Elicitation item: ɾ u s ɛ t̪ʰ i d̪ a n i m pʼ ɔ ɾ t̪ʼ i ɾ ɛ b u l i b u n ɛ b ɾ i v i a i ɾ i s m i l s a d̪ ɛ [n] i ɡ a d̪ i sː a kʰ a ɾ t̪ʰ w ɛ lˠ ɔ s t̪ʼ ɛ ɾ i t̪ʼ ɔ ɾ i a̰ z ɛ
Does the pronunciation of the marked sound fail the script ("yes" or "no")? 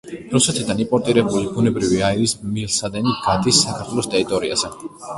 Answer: no